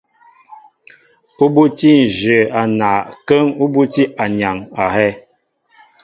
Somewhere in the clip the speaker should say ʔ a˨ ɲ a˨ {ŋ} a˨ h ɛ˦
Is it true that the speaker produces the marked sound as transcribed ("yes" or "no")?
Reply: yes